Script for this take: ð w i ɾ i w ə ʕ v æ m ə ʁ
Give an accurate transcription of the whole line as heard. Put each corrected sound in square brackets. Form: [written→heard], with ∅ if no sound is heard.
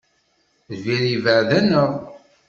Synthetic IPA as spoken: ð [w→v] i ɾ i [w→v] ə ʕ [v→ð] æ [m→n] ə ʁ